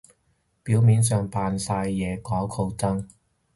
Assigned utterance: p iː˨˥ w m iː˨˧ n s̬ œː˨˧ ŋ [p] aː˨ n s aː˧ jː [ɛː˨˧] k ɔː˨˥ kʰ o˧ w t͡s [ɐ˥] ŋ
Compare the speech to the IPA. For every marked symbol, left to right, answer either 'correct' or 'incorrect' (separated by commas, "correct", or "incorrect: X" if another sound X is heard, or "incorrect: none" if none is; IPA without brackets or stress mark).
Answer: correct, correct, correct